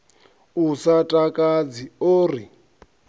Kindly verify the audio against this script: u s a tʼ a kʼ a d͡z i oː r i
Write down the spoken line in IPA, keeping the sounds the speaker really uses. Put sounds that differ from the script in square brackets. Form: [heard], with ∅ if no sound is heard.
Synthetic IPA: u s a tʼ a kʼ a d͡z i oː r i